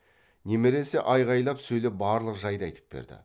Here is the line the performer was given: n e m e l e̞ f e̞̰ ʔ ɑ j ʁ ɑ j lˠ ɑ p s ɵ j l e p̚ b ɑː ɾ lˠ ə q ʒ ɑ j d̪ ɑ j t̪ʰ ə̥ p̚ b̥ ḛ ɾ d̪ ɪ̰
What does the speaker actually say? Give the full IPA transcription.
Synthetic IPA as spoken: n e m e ɾ e̞ s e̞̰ ʔ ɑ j ʁ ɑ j lˠ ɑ p s ɵ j l e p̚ b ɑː ɾ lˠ ə q ʒ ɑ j d̪ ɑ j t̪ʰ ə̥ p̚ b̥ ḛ ɾ d̪ ɪ̰

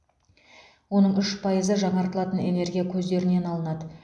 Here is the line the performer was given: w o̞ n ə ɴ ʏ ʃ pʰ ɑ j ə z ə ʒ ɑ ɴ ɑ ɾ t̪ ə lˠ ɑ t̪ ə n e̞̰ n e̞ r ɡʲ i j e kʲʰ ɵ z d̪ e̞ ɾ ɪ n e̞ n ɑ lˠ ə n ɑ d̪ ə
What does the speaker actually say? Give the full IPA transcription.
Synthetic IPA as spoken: w o̞ n ə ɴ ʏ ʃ pʰ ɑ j ə z ə ʒ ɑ ɴ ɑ ɾ t̪ ə lˠ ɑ t̪ ə n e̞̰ n e̞ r ɡʲ i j a kʲʰ ɵ z d̪ e̞ ɾ ɪ n e̞ n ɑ lˠ ə n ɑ d̪ ə

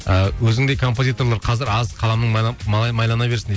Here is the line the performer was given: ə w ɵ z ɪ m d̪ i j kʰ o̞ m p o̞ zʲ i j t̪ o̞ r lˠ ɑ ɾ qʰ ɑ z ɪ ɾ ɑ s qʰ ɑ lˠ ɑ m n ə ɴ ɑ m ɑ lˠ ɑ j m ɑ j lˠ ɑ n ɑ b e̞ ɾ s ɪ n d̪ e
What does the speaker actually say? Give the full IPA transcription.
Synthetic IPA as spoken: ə w ɵ z ɪ ŋ d̪ e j kʰ o̞ m p o̞ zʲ i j t̪ o̞ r lˠ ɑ ɾ qʰ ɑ z ɪ ɾ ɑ z qʰ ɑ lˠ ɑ m n ə ɴ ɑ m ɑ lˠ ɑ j m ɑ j lˠ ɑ n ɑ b e̞ ɾ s ɪ n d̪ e

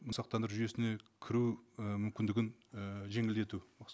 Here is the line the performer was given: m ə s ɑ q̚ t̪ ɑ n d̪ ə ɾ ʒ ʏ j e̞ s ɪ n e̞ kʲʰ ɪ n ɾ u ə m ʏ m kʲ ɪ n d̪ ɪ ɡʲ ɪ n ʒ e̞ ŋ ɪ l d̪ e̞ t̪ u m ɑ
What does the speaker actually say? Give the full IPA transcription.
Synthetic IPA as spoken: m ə s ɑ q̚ t̪ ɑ n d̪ ə ɾ ʒ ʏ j e̞ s ɪ n e̞ kʲʰ ɪ ɾ u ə m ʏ m kʲ ɪ n d̪ ɪ ɡʲ ɪ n ʒ e̞ ŋ ɪ l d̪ e̞ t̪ u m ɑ

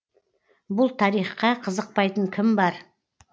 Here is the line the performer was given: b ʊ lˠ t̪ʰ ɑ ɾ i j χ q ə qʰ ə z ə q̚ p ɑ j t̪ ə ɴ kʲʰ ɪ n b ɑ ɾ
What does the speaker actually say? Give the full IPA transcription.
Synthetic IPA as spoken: b ʊ lˠ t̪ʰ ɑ ɾ i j χ q ɑ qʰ ə z ə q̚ p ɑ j t̪ ə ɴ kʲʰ ɪ m b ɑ ɾ

